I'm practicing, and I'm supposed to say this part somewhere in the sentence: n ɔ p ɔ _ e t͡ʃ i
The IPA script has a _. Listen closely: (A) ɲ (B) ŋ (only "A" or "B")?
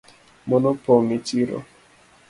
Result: B